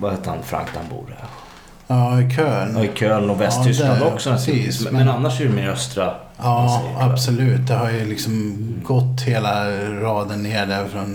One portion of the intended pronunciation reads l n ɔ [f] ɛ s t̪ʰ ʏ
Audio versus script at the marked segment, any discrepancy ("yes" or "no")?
yes